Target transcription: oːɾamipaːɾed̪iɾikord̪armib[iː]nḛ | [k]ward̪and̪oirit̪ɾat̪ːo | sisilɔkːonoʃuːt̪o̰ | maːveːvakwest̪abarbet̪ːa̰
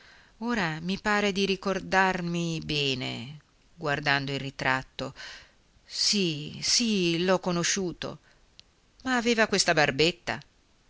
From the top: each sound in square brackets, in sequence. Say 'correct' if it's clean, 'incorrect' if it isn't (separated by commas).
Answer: incorrect, incorrect